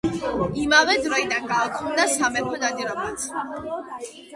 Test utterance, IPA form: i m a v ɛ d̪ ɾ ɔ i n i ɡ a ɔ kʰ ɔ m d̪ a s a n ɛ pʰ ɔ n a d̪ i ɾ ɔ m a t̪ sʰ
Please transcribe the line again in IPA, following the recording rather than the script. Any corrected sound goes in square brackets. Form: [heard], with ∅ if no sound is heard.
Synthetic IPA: i m a v ɛ d̪ ɾ ɔ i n [a] ɡ a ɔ kʰ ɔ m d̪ a s a [m] ɛ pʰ ɔ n a d̪ i ɾ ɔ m a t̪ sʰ